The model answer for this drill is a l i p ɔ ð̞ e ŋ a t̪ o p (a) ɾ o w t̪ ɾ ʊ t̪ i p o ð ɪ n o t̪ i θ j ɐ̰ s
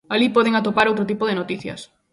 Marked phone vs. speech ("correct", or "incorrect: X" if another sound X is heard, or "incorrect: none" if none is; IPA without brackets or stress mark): correct